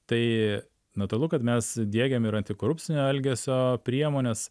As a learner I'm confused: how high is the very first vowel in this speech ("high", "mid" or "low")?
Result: low